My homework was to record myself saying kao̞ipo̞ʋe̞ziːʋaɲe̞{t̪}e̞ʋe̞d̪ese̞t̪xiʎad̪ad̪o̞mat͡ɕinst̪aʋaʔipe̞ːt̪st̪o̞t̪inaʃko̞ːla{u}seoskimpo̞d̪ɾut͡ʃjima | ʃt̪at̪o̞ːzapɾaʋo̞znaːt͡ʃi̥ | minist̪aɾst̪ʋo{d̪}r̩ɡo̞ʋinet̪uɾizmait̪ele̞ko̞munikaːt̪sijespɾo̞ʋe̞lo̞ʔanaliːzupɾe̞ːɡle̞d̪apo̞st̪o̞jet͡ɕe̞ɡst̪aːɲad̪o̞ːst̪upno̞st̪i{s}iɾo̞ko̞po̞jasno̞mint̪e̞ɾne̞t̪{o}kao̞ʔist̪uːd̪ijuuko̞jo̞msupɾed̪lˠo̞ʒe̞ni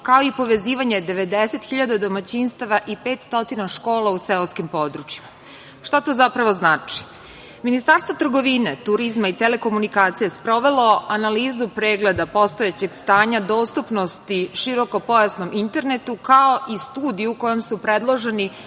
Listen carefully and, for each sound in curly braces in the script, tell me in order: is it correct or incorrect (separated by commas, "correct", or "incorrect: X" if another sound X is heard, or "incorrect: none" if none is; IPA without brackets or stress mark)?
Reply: incorrect: d̪, correct, incorrect: t̪, incorrect: ʃ, incorrect: u